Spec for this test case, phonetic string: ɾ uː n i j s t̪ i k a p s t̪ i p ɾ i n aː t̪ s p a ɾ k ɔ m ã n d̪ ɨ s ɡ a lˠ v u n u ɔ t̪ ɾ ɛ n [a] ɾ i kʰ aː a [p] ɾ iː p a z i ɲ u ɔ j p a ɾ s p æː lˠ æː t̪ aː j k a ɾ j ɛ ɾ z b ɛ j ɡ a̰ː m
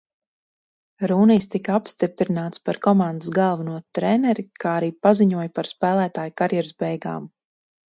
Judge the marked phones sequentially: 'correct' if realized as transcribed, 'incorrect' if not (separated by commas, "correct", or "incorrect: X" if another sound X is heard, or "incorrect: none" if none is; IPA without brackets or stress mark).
incorrect: ɛ, incorrect: none